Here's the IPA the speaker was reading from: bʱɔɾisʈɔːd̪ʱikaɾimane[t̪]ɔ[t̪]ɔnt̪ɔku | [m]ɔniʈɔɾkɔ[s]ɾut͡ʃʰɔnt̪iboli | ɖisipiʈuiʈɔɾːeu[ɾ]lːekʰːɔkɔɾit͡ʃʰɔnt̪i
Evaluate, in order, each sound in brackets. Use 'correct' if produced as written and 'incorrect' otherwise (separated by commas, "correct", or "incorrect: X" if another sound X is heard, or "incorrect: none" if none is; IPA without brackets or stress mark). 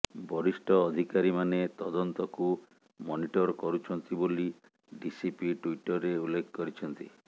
correct, incorrect: d̪, correct, incorrect: none, incorrect: none